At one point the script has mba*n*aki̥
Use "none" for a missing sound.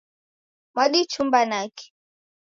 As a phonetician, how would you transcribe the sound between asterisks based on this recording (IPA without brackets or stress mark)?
n